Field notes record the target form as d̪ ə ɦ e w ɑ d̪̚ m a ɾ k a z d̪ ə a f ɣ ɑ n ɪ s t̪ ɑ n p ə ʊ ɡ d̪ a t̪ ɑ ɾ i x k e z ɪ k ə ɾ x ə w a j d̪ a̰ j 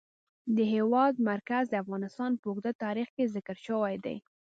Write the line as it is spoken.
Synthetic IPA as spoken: d̪ ə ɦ e w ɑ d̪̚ m a ɾ k a z d̪ ə a f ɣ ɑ n ɪ s t̪ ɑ n p ə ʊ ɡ d̪ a t̪ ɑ ɾ i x k e z ɪ k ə ɾ ʃ ə w a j d̪ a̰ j